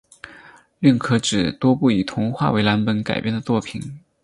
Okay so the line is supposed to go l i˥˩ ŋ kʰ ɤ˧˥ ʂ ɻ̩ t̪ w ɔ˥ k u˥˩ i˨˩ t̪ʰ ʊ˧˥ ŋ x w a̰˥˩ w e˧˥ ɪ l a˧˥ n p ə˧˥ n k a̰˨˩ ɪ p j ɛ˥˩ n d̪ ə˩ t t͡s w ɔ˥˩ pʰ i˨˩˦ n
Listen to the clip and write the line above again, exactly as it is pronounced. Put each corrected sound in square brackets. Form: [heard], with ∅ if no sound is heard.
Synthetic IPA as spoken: l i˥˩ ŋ kʰ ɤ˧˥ [ʈ͡ʂ] ɻ̩ t̪ w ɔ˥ [p] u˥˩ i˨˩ t̪ʰ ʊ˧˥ ŋ x w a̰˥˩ w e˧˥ ɪ l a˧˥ n p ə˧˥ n k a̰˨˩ ɪ p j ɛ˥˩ n d̪ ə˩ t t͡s w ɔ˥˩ pʰ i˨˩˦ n